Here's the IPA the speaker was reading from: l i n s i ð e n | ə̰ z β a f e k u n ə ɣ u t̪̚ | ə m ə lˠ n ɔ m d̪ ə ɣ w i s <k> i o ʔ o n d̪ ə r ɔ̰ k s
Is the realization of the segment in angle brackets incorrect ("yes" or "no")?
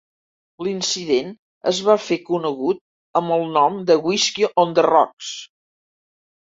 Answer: no